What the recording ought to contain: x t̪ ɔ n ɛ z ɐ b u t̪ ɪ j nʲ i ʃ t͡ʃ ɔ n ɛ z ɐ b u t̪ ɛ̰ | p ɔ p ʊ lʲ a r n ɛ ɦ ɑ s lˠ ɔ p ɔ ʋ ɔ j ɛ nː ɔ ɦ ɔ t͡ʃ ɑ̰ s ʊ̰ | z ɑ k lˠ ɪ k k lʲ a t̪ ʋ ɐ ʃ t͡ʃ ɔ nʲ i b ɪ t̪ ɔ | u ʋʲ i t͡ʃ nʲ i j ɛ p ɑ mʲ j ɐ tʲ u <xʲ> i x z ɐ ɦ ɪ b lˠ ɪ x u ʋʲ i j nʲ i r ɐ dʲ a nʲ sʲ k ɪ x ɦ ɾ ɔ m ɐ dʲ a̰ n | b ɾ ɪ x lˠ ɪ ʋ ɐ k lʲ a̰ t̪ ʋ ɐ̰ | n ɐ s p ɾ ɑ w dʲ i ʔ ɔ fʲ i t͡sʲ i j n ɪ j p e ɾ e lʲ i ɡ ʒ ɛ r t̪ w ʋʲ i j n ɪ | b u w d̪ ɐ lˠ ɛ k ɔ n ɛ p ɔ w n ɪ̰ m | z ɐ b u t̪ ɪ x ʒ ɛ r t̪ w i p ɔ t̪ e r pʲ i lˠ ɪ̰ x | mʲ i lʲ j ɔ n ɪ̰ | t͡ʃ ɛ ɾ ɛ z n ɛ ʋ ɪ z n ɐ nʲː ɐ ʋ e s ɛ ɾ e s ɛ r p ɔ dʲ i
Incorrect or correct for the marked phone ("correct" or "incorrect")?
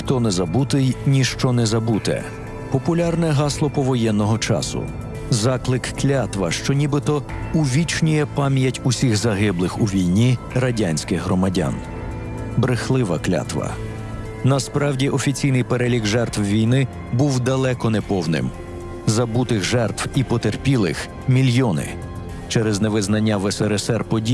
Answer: incorrect